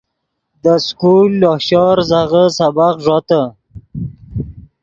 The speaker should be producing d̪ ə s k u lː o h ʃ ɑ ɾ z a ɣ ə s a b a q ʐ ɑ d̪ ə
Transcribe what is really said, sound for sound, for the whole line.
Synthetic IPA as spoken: d̪ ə s k u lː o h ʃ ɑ ɾ z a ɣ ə s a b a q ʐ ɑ t̪ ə